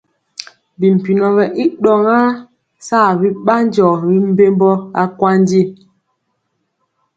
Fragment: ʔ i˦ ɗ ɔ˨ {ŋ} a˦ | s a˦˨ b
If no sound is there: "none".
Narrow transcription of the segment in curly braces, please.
ŋ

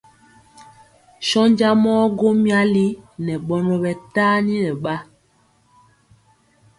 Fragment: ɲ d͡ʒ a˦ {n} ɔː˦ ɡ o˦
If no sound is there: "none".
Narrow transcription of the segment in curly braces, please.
m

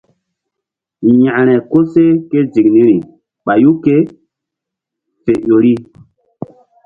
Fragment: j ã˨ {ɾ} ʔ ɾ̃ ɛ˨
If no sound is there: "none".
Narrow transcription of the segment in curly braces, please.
none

